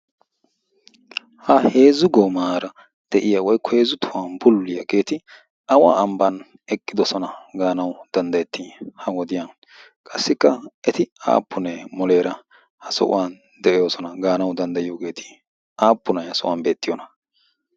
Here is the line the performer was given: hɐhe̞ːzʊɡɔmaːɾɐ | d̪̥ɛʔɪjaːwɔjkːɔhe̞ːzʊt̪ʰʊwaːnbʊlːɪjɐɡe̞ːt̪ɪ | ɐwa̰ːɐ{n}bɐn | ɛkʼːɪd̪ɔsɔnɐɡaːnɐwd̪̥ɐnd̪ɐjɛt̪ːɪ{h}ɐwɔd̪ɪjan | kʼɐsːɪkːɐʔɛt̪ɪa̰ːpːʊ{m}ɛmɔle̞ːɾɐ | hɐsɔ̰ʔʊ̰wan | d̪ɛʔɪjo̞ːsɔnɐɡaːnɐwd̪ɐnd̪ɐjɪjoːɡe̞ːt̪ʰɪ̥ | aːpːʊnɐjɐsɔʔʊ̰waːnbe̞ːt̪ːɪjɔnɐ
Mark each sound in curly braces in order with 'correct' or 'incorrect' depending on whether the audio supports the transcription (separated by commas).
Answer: incorrect, correct, incorrect